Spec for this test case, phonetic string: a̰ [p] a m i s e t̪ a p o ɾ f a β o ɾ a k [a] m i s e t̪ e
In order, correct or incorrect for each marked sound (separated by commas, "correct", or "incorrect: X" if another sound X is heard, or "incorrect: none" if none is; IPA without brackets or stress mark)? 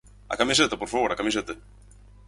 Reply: incorrect: k, correct